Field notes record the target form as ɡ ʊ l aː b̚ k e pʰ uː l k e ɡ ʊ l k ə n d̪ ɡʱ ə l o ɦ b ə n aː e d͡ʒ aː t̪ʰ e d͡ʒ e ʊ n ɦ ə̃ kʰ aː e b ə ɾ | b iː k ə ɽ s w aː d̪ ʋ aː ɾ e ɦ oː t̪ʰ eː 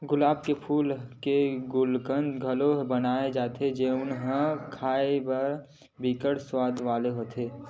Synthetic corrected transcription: ɡ ʊ l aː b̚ k e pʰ uː l k e ɡ ʊ l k ə n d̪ ɡʱ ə l o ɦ b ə n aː e d͡ʒ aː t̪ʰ e d͡ʒ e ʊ n ɦ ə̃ kʰ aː e b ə ɾ | b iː k ə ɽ s w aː d̪ ʋ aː l e ɦ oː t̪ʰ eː